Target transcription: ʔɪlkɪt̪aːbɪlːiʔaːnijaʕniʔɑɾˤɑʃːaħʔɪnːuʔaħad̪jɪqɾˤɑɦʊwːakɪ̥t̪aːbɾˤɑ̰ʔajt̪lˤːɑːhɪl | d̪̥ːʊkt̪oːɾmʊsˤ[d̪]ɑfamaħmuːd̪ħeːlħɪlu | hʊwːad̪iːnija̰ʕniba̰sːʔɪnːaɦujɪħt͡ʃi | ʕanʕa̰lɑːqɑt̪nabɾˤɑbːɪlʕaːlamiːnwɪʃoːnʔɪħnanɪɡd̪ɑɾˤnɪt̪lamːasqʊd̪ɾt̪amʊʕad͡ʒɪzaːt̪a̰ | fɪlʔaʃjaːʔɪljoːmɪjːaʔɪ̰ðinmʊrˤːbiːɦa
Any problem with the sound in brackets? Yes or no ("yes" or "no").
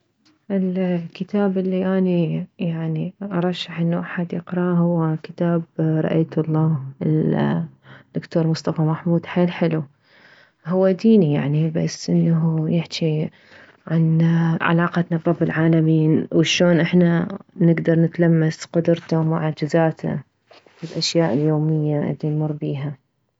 yes